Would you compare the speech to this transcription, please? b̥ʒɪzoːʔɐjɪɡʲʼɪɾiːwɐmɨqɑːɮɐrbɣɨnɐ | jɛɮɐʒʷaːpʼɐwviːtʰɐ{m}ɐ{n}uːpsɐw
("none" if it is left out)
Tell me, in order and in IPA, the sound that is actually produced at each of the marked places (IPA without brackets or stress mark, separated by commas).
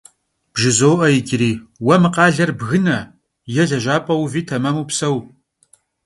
m, m